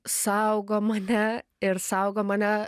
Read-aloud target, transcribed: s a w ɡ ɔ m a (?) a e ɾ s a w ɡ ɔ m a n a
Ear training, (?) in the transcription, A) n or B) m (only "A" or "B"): A